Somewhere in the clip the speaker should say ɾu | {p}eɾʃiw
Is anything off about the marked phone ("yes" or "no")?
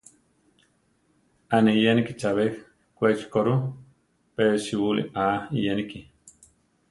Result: no